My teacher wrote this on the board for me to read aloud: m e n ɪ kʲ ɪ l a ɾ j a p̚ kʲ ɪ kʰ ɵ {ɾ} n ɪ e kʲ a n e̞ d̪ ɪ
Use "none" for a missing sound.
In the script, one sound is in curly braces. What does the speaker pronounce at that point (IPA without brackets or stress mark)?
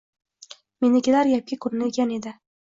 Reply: ɾ